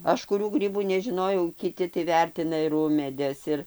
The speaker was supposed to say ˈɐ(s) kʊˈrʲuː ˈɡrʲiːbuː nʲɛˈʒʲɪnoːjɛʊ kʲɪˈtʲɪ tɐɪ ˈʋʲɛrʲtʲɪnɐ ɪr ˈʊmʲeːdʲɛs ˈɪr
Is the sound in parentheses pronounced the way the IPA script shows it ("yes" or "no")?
no